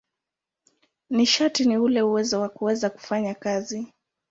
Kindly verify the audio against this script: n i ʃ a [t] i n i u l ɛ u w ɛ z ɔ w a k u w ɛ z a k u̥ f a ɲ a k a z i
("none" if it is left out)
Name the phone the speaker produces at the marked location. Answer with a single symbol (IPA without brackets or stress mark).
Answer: t